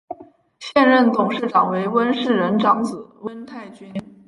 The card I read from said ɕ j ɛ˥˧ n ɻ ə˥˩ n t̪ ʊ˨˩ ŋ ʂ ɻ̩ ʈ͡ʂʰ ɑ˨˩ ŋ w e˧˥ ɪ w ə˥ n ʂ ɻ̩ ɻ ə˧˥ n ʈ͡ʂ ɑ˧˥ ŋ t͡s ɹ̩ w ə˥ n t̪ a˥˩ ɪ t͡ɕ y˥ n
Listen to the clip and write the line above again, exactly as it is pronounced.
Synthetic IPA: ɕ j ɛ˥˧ n ɻ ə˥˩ n t̪ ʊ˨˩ ŋ ʂ ɻ̩ ʈ͡ʂ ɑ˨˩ ŋ w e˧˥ ɪ w ə˥ n ʂ ɻ̩ ɻ ə˧˥ n ʈ͡ʂ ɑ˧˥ ŋ t͡s ɹ̩ w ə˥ n t̪ʰ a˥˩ ɪ t͡ɕ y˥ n